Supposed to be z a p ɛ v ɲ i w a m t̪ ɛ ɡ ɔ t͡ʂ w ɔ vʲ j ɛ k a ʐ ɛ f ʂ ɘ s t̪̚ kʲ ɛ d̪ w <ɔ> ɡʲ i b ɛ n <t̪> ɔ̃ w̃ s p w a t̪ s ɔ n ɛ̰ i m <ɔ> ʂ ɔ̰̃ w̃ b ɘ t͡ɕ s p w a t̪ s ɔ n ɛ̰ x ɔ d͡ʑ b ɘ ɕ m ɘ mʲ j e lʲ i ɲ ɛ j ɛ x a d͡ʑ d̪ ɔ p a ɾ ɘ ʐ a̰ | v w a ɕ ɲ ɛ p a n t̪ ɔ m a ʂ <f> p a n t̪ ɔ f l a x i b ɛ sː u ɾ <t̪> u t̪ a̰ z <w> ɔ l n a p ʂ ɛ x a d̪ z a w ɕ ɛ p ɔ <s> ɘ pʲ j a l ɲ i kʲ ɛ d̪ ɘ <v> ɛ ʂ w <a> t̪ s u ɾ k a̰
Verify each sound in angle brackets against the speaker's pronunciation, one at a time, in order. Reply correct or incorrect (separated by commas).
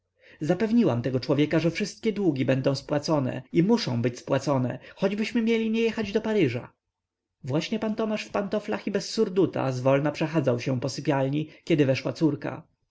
incorrect, incorrect, incorrect, correct, incorrect, incorrect, correct, correct, correct